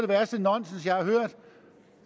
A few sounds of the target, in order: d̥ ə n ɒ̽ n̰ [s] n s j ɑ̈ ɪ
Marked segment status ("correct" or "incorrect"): correct